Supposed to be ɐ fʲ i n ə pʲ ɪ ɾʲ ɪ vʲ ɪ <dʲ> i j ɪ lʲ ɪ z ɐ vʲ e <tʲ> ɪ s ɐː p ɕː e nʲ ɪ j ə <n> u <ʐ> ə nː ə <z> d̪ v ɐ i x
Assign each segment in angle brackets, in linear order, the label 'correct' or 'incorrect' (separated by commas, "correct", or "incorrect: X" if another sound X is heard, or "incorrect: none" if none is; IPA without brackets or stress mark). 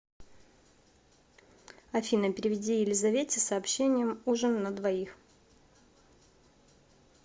correct, correct, incorrect: m, correct, incorrect: none